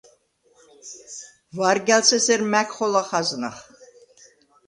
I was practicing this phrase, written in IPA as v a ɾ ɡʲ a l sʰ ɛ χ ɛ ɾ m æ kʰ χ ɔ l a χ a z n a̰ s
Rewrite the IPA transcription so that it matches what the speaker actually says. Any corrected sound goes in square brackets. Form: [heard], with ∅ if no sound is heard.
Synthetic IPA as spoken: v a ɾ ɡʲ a l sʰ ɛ [s] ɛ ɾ m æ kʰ χ ɔ l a χ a z n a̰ [χ]